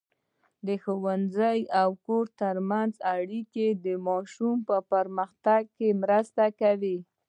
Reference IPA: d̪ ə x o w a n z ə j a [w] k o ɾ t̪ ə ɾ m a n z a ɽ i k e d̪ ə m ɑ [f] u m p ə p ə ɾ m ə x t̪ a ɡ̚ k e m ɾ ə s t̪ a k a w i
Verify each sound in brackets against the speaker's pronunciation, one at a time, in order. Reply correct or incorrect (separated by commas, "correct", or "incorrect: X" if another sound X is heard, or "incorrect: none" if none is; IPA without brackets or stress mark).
correct, incorrect: ʃ